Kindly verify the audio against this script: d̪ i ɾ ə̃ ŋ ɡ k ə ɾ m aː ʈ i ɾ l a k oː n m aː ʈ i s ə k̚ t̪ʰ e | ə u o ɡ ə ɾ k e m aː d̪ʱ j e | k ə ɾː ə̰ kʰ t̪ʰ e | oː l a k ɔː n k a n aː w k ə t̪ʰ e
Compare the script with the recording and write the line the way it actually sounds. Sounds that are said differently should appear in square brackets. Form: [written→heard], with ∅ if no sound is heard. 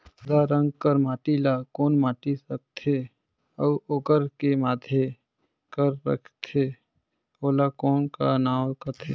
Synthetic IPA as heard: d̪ [i→a] ɾ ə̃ ŋ ɡ k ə ɾ m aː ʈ i [ɾ→∅] l a k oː n m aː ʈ i s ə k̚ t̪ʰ e | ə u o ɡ ə ɾ k e m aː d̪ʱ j e | k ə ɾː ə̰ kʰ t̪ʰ e | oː l a k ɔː n k a n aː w k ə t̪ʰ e